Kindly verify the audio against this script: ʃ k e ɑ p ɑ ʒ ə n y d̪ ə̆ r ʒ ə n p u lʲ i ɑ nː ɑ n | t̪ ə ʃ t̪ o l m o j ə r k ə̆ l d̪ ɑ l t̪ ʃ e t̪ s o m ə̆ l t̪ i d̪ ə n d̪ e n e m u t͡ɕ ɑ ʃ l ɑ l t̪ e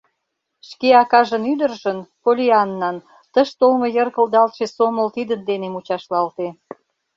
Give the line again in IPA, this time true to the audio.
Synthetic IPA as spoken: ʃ k e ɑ k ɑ ʒ ə n y d̪ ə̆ r ʒ ə n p o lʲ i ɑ nː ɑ n | t̪ ə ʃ t̪ o l m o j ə r k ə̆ l d̪ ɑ l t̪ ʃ e s o m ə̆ l t̪ i d̪ ə n d̪ e n e m u t͡ɕ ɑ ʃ l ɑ l t̪ e